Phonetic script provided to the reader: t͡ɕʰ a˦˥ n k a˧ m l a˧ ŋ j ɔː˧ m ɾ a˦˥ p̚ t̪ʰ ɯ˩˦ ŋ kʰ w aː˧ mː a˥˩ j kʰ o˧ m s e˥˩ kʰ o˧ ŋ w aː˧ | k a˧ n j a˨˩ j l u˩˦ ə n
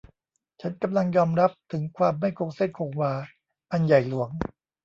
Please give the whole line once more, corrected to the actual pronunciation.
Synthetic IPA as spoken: t͡ɕʰ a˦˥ n k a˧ m l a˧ ŋ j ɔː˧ m ɾ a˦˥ p̚ t̪ʰ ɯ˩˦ ŋ kʰ w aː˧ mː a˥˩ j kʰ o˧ ŋ s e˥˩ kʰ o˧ ŋ w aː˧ | ʔ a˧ n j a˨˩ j l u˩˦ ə ŋ